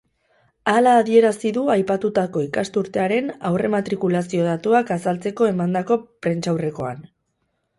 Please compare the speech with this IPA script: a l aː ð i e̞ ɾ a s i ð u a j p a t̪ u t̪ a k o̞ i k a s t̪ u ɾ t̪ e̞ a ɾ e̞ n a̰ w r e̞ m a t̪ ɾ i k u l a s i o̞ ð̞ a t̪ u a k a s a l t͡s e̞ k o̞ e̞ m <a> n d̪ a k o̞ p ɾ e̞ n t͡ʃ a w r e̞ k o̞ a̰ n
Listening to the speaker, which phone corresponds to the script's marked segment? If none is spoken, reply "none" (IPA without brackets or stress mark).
a